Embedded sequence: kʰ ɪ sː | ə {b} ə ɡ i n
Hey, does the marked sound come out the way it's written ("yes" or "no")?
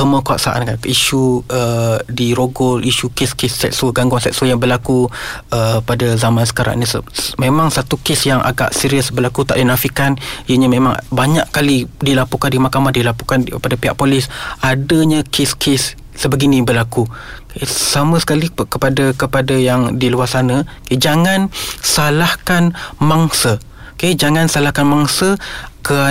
yes